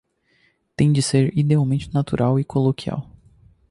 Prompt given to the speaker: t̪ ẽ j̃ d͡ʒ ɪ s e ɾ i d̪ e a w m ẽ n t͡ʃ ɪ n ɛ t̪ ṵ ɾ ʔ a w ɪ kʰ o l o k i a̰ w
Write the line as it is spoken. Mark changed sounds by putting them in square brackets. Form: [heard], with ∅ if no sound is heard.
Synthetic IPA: t̪ ẽ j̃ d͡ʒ ɪ s e ɾ i d̪ e a w m ẽ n t͡ʃ ɪ n [a] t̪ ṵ ɾ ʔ a w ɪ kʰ o l o k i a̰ w